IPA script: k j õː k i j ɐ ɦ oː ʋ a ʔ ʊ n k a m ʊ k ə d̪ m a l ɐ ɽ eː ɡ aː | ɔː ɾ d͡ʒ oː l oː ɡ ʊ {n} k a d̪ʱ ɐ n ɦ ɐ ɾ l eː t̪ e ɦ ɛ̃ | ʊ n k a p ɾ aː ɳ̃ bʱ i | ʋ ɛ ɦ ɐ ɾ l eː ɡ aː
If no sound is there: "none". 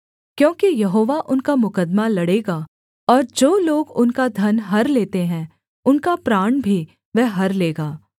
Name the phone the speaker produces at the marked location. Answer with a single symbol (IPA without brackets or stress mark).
n